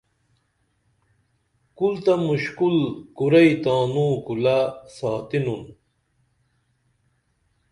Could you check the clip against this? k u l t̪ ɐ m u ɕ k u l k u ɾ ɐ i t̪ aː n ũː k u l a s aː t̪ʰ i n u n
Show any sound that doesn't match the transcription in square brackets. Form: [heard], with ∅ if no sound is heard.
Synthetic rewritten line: k u l t̪ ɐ m u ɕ k u l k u ɾ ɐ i t̪ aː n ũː k u l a s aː [t̪] i n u n